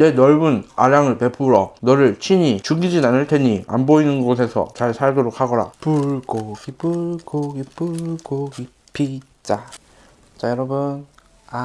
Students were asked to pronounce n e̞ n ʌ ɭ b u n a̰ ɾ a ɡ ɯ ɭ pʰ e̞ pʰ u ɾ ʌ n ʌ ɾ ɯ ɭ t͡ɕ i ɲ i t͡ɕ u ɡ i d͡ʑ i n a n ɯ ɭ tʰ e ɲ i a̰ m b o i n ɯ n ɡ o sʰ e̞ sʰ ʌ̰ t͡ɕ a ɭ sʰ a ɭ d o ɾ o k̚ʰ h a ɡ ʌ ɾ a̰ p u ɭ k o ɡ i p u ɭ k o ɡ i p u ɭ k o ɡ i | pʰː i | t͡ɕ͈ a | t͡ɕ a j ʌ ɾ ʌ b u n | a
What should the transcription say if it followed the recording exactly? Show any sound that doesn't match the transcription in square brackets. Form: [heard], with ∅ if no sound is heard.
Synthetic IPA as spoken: n e̞ n ʌ ɭ b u n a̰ ɾ a [ŋ] ɯ ɭ [p] e̞ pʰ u ɾ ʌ n ʌ ɾ ɯ ɭ [t͡ɕʰ] i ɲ i t͡ɕ u ɡ i d͡ʑ i n a n ɯ ɭ tʰ e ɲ i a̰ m b o i n ɯ n ɡ o sʰ e̞ sʰ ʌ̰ t͡ɕ a ɭ sʰ a ɭ d o ɾ o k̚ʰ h a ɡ ʌ ɾ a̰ p u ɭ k o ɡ i p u ɭ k o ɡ i p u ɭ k o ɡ i | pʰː i | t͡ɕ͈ a | t͡ɕ a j ʌ ɾ ʌ b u n | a